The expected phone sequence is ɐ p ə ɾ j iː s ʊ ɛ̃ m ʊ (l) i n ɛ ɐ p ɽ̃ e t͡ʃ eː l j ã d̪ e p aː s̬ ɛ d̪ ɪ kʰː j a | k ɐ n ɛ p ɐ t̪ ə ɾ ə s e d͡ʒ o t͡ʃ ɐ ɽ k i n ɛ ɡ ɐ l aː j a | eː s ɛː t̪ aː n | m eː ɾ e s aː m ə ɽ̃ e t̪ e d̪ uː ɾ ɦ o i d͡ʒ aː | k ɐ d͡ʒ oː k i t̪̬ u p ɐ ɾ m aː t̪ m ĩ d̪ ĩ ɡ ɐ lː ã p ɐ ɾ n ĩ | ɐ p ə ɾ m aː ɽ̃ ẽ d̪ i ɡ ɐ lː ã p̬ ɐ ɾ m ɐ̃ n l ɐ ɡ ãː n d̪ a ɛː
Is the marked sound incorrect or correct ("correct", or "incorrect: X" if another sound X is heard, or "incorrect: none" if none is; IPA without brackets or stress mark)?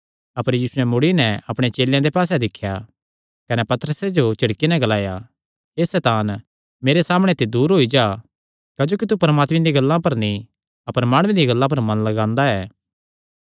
incorrect: ɽ